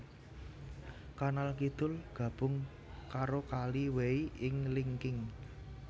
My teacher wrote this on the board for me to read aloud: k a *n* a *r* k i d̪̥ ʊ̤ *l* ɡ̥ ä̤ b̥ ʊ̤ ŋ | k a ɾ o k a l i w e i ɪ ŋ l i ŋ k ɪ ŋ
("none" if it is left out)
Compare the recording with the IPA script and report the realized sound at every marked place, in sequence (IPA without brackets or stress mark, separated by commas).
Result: n, l, l